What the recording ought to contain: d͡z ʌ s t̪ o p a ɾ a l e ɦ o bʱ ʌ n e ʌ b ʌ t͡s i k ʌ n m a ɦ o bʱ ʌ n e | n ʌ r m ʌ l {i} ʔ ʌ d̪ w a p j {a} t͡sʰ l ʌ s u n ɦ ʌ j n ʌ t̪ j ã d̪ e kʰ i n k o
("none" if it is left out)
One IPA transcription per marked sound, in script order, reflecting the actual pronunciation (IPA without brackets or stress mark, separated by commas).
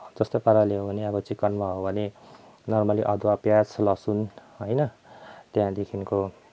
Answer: i, a